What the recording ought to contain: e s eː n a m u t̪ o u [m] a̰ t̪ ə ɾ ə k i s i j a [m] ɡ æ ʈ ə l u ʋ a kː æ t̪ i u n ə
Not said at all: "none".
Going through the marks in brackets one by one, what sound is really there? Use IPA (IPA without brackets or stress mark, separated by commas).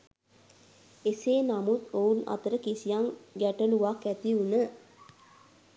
n, ŋ